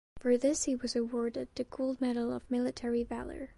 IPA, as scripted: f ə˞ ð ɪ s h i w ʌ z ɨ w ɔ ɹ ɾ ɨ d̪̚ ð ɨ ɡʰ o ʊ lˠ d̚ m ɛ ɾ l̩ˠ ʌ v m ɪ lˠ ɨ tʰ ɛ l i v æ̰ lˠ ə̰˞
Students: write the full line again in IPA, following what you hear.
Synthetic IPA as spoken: f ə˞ ð ɪ s h i w ʌ z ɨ w ɔ ɹ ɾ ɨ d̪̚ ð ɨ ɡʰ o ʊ lˠ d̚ m ɛ ɾ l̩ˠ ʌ v m ɪ lˠ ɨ tʰ ɛ ɹ i v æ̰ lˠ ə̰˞